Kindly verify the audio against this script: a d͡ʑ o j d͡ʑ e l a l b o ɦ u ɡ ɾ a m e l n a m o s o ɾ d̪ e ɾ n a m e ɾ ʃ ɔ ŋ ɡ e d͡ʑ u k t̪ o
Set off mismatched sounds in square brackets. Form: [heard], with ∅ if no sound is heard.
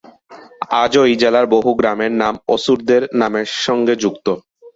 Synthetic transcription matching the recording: a d͡ʑ o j d͡ʑ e l a [ɾ] b o ɦ u ɡ ɾ a m e [ɾ] n a m o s [u] ɾ d̪ e ɾ n a m e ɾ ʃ ɔ ŋ ɡ e d͡ʑ u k t̪ o